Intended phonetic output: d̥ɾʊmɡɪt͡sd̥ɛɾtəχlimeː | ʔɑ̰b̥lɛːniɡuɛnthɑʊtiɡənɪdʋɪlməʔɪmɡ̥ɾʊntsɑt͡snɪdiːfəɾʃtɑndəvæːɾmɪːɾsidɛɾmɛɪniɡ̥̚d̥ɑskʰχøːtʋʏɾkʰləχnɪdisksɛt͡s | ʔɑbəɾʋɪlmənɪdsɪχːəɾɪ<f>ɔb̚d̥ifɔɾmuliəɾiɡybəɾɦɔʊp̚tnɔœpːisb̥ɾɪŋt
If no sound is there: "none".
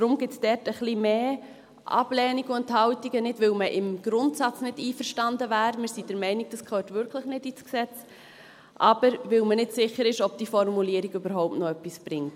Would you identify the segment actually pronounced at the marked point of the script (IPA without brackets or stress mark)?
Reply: ʃ